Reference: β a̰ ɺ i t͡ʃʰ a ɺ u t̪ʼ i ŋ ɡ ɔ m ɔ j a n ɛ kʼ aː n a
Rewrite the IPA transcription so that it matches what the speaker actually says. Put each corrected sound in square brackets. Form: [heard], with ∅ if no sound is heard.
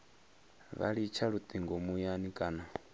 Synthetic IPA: β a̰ ɺ i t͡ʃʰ a ɺ u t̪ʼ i ŋ ɡ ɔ m [u] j a n [i] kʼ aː n a